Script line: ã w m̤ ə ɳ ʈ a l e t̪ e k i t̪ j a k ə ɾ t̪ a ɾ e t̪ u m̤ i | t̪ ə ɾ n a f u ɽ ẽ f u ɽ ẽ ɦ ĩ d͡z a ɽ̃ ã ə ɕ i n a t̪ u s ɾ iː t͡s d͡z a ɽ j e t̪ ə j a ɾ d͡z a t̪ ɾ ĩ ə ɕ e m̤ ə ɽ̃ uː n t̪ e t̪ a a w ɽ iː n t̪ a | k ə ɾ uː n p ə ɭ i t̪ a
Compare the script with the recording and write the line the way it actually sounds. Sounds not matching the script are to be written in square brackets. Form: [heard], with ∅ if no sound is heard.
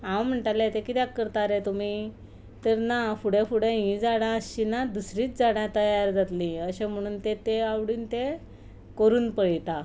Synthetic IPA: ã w m̤ ə ɳ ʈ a l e t̪ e k i t̪ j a k ə ɾ t̪ a ɾ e t̪ u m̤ i | t̪ ə ɾ n a f u ɽ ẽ f u ɽ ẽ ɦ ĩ d͡z a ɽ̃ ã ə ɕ i n a [d̪] u s ɾ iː t͡s d͡z a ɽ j [a] t̪ ə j a ɾ d͡z a t̪ [l] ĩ ə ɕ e m̤ ə ɽ̃ uː n t̪ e t̪ [e] a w ɽ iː n t̪ [e] | k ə ɾ uː n p ə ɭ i t̪ a